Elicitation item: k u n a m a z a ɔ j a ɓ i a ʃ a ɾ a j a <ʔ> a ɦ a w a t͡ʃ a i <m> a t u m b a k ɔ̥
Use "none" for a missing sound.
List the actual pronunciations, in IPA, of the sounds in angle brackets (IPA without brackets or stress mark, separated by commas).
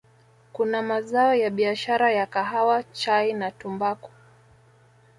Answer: k, n